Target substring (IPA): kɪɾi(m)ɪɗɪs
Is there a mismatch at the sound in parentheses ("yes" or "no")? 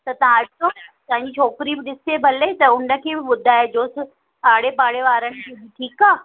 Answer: yes